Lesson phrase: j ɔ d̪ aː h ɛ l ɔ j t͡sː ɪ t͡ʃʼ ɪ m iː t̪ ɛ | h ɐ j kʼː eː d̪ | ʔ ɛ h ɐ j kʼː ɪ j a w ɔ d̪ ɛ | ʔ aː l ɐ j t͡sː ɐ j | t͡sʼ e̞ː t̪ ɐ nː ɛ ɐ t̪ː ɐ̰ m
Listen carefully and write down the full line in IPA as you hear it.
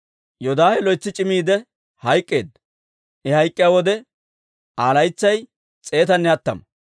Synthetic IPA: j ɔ d̪ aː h ɛ l ɔ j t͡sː ɪ t͡ʃʼ ɪ m iː d̪ ɛ | h ɐ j kʼː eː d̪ | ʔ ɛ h ɐ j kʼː ɪ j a w ɔ d̪ ɛ | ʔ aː l ɐ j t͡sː ɐ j | t͡sʼ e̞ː t̪ ɐ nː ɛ ɐ t̪ː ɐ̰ m